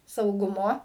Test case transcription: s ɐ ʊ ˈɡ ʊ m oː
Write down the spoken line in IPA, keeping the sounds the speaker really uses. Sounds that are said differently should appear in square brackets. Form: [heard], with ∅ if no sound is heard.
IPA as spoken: s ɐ ʊ ˈɡ ʊ m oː